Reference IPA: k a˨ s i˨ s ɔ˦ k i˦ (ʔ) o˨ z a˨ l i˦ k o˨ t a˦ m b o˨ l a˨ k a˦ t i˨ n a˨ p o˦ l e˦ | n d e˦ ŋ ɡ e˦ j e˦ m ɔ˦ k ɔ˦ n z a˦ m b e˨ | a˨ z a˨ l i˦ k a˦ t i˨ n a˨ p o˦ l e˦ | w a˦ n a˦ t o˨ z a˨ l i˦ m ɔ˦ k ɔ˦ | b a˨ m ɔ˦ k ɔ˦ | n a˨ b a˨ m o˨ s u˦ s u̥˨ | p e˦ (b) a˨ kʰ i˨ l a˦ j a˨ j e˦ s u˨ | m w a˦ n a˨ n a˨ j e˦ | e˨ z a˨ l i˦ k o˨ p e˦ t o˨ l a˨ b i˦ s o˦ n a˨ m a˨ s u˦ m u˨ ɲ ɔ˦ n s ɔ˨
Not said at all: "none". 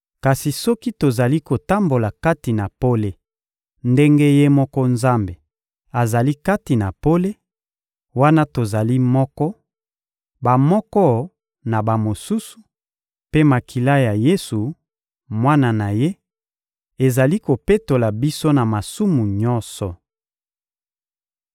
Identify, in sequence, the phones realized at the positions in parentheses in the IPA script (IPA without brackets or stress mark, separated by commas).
t, m